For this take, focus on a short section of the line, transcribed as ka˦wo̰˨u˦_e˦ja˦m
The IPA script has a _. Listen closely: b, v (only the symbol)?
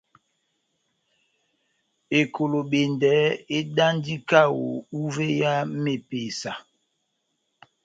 v